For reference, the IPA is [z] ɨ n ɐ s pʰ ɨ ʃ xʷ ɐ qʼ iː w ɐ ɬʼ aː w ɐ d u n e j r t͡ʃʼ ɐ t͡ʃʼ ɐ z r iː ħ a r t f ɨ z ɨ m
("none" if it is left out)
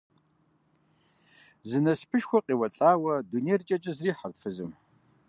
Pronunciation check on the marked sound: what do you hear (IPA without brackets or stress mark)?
z